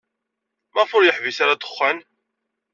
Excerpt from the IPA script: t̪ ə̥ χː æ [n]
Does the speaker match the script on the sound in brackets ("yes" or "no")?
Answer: yes